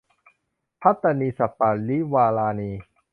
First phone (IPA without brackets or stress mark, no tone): pʰ